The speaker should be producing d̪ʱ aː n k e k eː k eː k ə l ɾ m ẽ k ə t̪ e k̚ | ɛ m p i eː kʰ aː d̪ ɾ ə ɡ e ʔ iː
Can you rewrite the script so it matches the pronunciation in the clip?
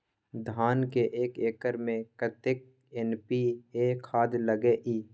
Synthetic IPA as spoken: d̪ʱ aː n k e ʔ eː k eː k ə ɾ m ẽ k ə t̪ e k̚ | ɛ n p i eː kʰ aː d̪ l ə ɡ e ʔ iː